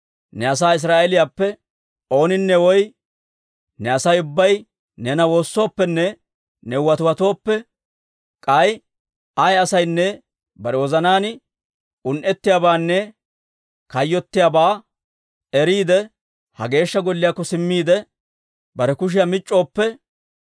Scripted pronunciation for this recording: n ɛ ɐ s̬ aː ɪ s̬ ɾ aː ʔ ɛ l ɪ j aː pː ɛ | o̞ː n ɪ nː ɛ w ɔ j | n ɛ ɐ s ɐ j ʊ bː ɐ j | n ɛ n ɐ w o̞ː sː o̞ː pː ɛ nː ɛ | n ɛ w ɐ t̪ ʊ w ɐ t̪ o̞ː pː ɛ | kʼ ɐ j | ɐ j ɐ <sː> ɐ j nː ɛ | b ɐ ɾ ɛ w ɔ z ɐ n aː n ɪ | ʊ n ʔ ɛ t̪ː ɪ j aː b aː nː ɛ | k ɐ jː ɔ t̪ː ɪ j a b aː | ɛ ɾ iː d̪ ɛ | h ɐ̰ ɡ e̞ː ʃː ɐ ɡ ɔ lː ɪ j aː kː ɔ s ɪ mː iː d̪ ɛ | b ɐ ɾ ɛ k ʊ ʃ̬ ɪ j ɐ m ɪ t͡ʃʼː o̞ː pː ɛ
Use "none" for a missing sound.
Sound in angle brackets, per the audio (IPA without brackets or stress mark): s